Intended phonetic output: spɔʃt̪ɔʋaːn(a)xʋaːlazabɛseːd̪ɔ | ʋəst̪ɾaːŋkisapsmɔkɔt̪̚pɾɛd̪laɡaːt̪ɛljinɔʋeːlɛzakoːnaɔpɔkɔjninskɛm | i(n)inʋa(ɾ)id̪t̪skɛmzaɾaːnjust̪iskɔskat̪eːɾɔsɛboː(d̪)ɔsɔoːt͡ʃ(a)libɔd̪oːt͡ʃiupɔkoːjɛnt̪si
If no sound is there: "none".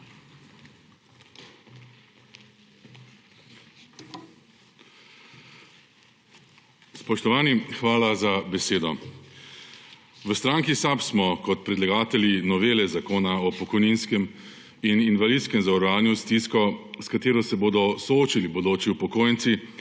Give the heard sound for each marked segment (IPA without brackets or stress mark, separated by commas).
i, n, l, d̪, i